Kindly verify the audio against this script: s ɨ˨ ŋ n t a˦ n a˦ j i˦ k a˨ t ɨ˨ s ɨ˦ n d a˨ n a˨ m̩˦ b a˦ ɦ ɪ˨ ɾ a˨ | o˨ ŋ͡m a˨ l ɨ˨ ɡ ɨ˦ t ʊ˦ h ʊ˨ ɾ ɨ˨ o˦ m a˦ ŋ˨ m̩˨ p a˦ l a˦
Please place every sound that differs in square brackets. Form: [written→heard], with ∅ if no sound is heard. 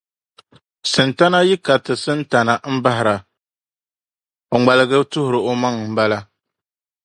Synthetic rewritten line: s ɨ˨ [ŋ→∅] n t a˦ n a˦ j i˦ k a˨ t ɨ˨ s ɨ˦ n [d→t] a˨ n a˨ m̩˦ b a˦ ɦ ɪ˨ ɾ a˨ | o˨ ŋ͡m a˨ l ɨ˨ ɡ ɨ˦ t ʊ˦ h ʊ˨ ɾ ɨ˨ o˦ m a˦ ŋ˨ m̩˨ [p→b] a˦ l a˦

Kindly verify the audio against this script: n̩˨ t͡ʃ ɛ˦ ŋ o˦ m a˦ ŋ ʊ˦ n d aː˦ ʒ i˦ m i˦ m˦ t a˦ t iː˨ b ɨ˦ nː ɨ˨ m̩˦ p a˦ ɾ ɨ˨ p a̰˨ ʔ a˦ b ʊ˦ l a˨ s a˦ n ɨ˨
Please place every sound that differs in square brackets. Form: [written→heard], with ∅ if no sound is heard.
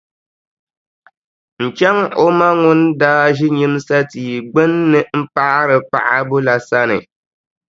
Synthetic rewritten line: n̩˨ t͡ʃ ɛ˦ ŋ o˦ m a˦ ŋ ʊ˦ n d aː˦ ʒ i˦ [m→ɲ] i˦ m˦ [t→s] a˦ t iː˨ [b→ɡ͡b] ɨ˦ nː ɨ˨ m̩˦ p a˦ ɾ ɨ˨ p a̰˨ ʔ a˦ b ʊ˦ l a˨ s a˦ n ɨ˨

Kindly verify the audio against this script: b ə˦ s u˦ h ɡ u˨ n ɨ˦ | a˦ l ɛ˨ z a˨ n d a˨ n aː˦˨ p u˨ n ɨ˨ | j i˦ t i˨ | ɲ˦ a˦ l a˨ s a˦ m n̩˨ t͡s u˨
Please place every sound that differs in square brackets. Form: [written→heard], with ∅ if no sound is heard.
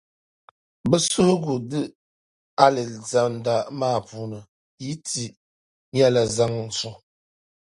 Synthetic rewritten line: b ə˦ s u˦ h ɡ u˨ [n→d] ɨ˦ | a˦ l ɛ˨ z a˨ n d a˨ [n→m] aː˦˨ p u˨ n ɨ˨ | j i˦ t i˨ | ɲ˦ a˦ l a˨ [s→z] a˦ [m→ŋ] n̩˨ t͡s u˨

